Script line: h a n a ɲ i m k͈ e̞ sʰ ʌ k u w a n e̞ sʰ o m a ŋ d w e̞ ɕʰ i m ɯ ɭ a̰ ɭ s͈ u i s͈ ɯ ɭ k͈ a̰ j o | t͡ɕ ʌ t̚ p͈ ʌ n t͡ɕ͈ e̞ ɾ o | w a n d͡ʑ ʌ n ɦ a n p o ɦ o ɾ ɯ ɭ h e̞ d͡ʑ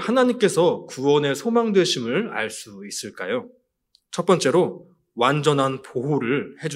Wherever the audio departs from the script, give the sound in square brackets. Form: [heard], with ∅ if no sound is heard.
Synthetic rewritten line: h a n a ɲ i m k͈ e̞ sʰ ʌ k u w [ʌ] n e̞ sʰ o m a ŋ d w e̞ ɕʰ i m ɯ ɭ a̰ ɭ s͈ u i s͈ ɯ ɭ k͈ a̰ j o | [t͡ɕʰ] ʌ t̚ p͈ ʌ n t͡ɕ͈ e̞ ɾ o | w a n d͡ʑ ʌ n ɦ a n p o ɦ o ɾ ɯ ɭ h e̞ d͡ʑ